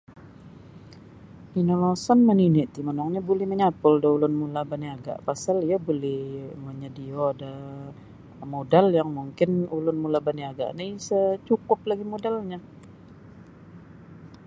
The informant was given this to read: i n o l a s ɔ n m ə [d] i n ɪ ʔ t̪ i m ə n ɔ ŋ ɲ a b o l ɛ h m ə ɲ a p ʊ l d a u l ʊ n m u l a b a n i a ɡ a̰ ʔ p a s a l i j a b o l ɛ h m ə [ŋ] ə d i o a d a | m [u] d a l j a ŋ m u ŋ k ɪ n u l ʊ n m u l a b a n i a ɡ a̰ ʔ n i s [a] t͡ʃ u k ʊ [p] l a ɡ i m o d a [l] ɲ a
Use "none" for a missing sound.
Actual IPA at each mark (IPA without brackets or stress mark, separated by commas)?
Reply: n, ɲ, o, ə, p, l